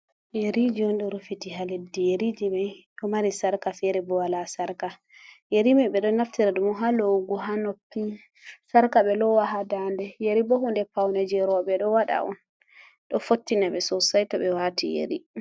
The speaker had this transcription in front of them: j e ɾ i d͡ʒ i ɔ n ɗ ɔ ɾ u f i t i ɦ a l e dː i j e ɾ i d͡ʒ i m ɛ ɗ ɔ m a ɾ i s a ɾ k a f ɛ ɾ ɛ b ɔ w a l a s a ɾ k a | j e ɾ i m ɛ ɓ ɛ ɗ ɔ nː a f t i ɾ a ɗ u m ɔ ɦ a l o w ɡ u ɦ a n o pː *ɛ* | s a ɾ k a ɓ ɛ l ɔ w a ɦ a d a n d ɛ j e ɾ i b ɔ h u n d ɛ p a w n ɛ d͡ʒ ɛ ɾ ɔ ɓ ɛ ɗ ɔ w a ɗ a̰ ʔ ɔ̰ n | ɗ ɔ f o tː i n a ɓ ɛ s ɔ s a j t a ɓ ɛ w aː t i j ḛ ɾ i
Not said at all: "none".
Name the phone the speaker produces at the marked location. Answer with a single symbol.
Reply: i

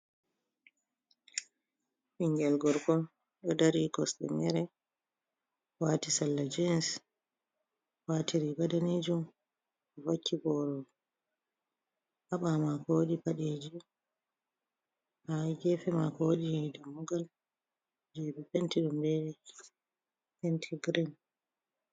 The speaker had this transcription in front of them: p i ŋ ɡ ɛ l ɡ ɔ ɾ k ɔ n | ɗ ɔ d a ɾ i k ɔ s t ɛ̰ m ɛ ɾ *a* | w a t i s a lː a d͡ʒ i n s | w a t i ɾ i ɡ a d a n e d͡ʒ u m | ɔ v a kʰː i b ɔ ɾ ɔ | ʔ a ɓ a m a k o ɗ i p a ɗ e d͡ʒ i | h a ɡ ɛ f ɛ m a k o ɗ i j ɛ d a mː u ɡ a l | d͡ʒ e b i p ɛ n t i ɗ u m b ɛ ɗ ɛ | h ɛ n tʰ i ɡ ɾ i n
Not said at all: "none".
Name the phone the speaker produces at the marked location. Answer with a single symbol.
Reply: ɛ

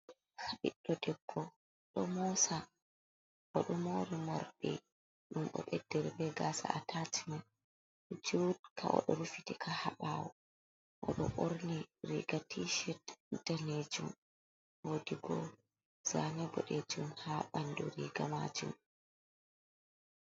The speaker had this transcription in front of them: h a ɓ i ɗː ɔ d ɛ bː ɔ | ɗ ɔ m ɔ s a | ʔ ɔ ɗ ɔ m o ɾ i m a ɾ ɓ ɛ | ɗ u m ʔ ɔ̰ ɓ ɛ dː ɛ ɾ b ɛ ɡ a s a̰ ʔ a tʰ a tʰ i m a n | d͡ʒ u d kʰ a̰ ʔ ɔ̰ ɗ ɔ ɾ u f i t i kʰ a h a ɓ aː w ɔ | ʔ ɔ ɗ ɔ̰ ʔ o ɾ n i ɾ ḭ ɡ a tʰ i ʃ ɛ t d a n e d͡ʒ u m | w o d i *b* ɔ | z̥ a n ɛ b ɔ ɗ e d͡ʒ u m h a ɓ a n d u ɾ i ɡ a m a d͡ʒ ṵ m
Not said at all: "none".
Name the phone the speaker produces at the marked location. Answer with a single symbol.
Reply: ɡ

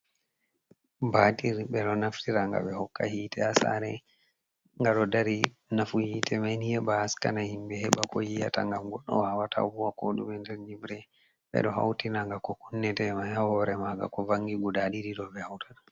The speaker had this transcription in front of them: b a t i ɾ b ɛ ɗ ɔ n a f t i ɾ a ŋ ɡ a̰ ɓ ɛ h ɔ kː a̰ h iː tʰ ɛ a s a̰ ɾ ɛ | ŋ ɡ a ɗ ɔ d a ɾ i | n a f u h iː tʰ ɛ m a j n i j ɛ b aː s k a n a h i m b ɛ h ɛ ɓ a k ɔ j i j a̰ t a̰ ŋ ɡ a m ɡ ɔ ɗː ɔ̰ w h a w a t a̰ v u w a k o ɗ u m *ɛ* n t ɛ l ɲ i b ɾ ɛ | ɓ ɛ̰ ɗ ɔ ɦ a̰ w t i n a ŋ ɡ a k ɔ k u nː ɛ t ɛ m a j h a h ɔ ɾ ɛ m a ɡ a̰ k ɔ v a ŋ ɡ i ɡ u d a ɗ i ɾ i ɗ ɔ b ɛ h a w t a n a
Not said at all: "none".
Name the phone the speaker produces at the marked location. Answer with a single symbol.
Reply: ɛ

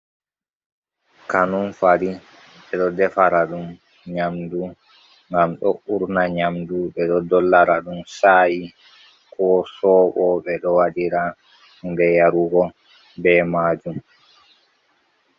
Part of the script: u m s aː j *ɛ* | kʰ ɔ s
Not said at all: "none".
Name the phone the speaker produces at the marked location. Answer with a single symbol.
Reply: i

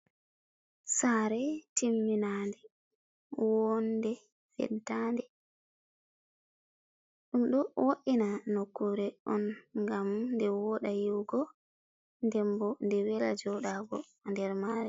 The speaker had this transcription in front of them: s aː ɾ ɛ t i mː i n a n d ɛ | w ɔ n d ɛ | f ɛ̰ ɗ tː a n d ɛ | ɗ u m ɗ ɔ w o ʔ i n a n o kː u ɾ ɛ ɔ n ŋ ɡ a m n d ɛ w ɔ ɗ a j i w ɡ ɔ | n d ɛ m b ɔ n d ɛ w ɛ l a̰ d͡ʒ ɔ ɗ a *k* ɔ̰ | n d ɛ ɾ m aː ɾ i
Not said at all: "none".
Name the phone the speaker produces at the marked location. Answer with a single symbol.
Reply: ɡ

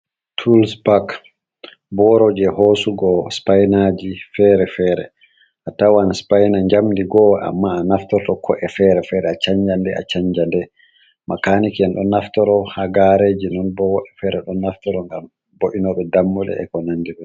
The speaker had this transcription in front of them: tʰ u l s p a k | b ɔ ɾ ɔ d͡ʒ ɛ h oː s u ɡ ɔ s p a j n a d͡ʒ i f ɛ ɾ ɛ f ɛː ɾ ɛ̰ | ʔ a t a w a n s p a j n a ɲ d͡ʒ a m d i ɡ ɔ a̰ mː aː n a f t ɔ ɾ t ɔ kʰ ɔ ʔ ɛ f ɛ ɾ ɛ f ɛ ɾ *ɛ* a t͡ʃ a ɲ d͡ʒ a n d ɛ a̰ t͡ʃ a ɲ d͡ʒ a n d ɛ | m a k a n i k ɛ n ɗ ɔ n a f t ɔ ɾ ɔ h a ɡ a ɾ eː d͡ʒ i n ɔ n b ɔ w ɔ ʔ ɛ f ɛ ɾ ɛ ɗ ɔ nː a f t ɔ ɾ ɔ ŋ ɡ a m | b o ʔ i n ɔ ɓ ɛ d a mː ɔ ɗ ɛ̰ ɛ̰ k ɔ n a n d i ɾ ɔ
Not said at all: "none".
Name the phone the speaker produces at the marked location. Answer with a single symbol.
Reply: ɛ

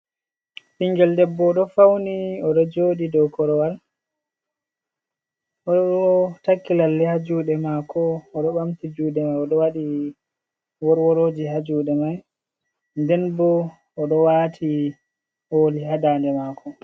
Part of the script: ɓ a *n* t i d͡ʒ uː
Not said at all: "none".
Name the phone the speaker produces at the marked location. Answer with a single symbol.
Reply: m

